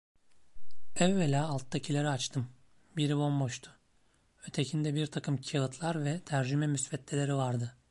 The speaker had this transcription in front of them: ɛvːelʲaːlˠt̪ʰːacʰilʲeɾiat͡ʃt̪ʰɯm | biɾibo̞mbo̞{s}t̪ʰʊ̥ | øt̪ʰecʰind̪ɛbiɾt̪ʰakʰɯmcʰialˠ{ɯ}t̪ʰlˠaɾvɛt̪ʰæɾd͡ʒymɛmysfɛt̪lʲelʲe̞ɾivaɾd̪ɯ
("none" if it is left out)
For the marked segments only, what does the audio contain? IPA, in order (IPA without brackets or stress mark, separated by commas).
ʃ, ɯ